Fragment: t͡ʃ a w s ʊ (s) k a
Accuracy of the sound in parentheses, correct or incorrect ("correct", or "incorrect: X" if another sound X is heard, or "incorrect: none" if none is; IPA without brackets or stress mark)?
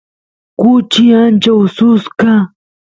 correct